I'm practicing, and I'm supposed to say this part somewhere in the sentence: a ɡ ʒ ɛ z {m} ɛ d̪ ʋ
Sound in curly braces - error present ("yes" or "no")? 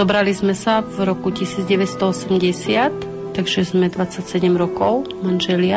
no